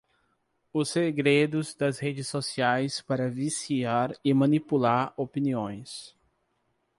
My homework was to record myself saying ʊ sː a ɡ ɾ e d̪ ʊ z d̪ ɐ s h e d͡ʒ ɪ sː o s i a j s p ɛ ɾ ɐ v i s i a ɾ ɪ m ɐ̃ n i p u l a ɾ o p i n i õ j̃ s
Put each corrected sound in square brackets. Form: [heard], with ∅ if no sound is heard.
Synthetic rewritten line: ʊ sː [e] ɡ ɾ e d̪ ʊ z d̪ ɐ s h e d͡ʒ ɪ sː o s i a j s p [a] ɾ ɐ v i s i a ɾ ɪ m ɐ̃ n i p u l a ɾ o p i n i õ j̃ s